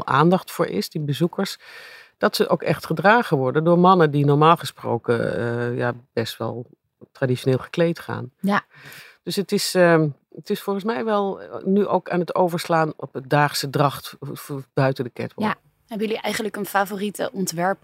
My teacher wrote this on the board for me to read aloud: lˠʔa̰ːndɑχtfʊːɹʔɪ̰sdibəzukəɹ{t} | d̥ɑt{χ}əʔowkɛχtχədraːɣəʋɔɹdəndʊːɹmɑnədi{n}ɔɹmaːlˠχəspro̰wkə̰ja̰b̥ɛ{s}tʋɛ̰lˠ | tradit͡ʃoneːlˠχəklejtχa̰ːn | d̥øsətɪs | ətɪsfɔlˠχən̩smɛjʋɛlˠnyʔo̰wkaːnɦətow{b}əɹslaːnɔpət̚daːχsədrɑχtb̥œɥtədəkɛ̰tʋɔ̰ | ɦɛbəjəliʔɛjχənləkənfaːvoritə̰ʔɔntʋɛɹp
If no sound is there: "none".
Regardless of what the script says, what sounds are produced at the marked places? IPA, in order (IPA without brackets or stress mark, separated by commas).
s, s, n, s, v